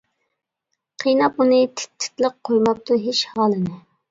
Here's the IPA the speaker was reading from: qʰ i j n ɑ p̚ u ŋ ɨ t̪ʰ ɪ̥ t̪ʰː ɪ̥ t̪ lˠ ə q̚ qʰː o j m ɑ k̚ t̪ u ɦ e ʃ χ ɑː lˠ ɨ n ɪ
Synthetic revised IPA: qʰ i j n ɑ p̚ u n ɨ t̪ʰ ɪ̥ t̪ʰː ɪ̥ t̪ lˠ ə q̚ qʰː o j m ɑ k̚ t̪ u ɦ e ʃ h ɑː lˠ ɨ n ɪ